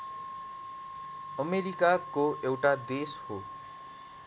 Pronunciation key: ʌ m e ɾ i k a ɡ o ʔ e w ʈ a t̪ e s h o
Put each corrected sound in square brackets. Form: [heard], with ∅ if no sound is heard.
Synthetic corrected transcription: ʌ m e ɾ i k a [k] o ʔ e w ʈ a [d̪] e s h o